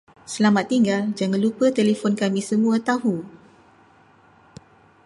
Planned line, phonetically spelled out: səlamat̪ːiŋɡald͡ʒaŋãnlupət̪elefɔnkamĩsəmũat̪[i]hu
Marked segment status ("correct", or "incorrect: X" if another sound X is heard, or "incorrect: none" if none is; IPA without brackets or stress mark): incorrect: a